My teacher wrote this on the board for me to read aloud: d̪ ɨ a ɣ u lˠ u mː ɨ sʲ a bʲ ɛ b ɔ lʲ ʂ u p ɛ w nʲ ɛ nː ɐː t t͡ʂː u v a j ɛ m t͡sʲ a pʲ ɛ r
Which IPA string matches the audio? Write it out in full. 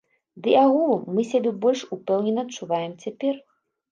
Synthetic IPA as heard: d̪ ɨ a ɣ u lˠ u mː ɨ sʲ a bʲ ɛ b ɔ lʲ ʂ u p ɛ w nʲ ɛ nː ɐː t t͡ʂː u v a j ɛ m t͡sʲ a pʲ ɛ r